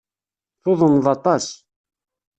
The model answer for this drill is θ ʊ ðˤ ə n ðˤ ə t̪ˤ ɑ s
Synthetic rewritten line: θ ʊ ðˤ ə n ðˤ ɑ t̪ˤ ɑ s